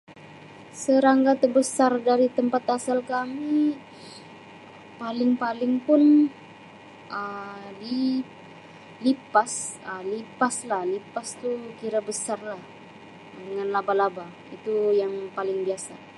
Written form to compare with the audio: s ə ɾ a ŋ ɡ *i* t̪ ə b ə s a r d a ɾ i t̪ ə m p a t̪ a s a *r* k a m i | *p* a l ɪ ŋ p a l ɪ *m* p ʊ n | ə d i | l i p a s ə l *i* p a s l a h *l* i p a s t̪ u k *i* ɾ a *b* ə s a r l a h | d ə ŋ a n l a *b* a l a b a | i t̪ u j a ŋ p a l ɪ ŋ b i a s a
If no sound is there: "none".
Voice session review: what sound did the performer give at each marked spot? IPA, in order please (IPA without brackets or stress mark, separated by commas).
a, l, p, ŋ, i, l, i, b, b